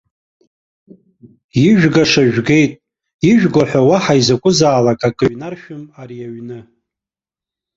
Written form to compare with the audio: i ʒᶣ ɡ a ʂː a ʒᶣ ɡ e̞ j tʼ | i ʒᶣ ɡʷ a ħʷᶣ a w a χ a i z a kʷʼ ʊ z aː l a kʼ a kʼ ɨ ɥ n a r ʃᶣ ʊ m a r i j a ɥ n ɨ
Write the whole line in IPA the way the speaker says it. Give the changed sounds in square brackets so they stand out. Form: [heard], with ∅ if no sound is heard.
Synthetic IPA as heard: i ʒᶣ ɡ a [ʂ] a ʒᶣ ɡ e̞ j tʼ | i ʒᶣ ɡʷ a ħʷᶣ a w a [ħ] a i z a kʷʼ ʊ z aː l a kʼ a kʼ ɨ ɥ n a r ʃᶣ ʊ m a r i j a ɥ n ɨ